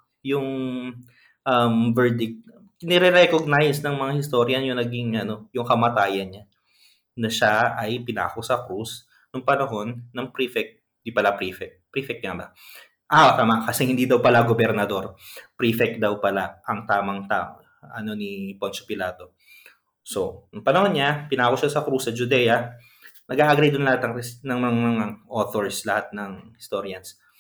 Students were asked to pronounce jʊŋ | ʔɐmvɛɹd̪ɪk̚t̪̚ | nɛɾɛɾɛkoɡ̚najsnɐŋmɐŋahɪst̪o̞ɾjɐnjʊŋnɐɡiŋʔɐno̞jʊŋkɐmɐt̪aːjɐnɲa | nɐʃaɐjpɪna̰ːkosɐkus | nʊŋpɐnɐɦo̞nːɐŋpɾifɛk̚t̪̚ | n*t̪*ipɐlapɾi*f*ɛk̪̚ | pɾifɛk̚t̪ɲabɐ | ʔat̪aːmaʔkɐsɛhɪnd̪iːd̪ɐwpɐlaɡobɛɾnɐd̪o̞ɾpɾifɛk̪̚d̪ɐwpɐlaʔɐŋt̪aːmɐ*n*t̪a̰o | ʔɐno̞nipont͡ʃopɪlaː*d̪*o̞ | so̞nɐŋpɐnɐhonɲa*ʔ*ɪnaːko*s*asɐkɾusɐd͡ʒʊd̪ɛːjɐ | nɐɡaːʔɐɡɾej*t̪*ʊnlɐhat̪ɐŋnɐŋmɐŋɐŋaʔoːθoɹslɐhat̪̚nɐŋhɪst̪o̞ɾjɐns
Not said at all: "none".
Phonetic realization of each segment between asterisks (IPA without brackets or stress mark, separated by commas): d̪, f, ŋ, t̪, p, ʃ, d̪